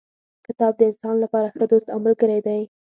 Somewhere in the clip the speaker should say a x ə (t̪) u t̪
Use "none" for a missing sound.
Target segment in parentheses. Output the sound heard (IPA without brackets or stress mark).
d̪